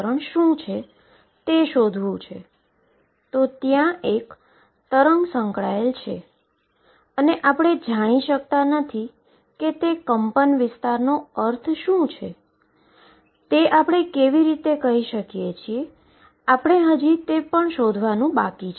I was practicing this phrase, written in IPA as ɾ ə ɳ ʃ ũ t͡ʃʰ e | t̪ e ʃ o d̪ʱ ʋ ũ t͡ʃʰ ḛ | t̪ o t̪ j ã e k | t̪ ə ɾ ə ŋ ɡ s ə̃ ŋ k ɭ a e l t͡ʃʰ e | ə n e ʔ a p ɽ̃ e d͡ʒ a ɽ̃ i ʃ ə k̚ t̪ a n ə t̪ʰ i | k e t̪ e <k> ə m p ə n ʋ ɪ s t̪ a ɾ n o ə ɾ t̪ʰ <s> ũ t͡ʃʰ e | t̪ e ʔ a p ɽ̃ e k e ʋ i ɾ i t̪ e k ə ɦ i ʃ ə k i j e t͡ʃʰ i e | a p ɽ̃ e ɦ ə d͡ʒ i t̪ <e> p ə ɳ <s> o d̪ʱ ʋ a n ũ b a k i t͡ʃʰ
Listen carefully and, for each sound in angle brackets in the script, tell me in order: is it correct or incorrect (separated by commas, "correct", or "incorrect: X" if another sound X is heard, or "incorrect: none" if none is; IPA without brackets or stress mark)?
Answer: correct, incorrect: ʃ, correct, incorrect: ʃ